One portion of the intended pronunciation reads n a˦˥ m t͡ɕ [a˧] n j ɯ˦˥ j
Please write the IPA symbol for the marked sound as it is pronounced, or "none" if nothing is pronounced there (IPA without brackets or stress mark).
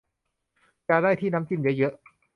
i˧